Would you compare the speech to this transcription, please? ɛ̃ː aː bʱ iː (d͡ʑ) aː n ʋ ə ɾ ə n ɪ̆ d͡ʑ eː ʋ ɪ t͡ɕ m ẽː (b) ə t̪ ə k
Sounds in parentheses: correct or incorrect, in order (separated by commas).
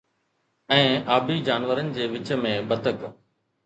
correct, correct